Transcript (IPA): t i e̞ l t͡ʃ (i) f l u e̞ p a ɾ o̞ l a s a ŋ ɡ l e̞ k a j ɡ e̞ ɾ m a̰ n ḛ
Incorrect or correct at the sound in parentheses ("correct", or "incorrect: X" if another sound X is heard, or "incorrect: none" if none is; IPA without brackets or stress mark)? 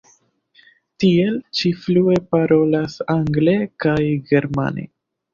correct